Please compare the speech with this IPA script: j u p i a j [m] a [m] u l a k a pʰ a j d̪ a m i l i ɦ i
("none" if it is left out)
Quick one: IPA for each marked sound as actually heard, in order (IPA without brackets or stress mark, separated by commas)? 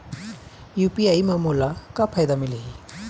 m, m